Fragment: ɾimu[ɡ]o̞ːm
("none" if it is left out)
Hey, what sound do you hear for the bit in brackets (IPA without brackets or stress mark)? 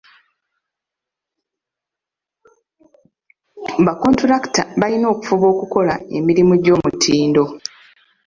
ɟ